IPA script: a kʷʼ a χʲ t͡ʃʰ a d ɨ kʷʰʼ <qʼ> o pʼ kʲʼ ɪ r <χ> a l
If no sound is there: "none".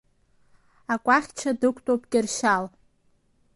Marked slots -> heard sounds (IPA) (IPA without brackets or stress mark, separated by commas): tʼ, ʃ